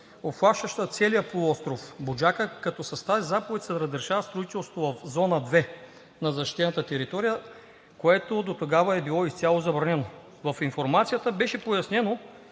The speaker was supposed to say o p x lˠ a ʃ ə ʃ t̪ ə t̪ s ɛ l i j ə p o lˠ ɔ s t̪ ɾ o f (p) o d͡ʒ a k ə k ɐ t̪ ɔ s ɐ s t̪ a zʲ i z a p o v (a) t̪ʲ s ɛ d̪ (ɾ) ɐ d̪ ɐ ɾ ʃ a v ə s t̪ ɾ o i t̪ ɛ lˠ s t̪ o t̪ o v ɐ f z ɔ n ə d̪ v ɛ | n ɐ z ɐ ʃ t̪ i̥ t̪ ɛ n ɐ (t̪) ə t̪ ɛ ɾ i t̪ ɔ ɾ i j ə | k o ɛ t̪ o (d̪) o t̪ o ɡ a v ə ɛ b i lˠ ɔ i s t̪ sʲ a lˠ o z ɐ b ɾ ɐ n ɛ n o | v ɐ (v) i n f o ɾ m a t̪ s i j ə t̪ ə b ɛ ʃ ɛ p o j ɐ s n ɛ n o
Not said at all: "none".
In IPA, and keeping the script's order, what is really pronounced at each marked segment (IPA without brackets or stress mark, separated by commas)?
b, ɛ, ɾ, t̪, d̪, f